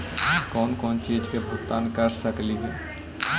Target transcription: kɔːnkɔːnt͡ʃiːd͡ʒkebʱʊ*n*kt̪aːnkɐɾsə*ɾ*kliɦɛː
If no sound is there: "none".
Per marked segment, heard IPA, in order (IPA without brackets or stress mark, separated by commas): none, none